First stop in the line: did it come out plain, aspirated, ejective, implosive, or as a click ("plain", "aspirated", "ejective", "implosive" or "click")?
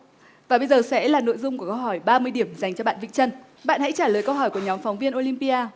implosive